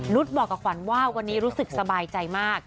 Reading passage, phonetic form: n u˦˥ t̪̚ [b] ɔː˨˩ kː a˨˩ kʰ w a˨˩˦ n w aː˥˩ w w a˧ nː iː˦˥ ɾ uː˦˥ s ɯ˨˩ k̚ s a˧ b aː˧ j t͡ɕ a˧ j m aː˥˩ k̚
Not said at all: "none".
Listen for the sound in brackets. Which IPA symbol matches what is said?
b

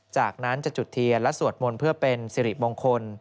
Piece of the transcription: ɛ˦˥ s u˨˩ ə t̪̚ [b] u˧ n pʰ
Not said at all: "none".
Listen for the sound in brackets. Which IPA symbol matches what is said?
m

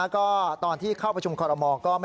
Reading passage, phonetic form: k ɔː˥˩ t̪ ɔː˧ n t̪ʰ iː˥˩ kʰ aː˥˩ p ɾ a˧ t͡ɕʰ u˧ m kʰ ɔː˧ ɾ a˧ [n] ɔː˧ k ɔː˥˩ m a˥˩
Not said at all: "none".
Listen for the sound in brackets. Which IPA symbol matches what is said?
m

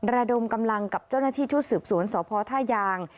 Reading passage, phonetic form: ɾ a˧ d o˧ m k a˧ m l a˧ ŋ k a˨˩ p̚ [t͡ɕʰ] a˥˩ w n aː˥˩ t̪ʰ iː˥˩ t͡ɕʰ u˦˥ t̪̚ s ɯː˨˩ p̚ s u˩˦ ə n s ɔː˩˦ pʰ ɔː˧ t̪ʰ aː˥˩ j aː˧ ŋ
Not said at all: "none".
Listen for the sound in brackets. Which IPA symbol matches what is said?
t͡ɕ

